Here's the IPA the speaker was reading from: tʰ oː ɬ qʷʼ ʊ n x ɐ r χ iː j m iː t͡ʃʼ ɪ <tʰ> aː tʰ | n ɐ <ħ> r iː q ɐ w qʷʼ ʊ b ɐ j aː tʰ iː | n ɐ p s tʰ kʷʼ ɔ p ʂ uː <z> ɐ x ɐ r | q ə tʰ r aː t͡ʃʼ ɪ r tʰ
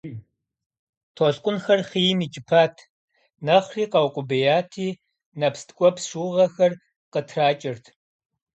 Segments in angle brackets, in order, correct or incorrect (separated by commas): incorrect, incorrect, incorrect